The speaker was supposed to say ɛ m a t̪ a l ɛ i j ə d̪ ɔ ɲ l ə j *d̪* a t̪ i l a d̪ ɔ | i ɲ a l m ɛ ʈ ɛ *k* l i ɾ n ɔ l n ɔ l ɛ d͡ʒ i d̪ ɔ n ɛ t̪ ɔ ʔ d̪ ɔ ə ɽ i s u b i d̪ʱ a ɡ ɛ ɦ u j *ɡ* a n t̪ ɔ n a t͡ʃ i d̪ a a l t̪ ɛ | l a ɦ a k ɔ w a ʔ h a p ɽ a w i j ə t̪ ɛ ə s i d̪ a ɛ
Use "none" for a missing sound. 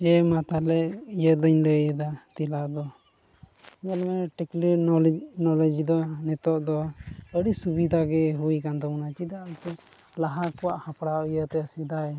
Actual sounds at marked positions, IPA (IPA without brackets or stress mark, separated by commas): d̪, k, k